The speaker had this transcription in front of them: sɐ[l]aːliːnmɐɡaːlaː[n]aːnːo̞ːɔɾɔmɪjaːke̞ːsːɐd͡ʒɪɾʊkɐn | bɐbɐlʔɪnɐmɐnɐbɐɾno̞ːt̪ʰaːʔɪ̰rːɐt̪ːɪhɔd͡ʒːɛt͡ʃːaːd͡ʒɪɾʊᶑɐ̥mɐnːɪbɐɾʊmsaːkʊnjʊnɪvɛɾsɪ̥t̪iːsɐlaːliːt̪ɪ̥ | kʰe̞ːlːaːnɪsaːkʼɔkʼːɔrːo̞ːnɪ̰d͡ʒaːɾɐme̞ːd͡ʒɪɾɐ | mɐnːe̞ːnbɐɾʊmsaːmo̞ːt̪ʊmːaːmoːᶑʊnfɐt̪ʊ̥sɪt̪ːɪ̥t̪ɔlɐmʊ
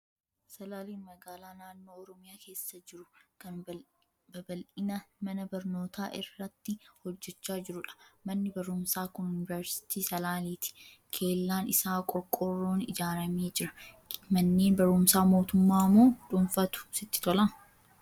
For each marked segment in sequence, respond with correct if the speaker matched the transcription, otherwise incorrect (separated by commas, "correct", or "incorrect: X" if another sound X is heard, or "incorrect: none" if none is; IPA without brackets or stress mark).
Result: correct, correct